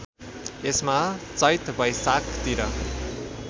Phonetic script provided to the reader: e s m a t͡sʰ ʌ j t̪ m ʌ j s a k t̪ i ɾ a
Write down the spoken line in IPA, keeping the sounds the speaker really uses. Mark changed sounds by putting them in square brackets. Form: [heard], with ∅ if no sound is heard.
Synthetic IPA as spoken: e s m a [t͡s] ʌ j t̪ [b] ʌ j s a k t̪ i ɾ [ʌ]